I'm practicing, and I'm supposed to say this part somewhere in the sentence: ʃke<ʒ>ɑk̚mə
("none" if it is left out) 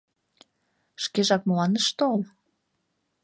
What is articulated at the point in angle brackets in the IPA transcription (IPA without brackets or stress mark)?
ʒ